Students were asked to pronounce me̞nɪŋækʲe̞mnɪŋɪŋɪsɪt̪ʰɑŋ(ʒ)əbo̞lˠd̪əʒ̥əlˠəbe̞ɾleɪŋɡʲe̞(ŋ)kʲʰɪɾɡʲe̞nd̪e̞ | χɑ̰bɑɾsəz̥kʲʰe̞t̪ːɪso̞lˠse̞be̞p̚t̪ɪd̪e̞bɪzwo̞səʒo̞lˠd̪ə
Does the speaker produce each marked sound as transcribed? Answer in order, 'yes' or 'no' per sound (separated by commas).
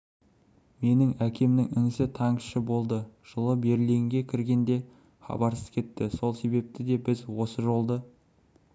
no, no